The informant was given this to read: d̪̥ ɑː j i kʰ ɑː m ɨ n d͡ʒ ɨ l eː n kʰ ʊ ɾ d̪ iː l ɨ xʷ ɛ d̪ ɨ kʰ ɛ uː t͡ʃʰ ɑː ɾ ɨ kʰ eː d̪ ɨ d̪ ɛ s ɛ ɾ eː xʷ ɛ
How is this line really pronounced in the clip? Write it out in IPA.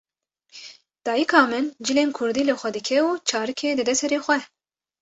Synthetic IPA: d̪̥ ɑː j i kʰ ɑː m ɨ n d͡ʒ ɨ l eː n kʰ ʊ ɾ d̪ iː l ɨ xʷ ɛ d̪ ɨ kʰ ɛ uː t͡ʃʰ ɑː ɾ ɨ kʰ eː d̪ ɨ d̪ ɛ s ɛ ɾ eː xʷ ɛ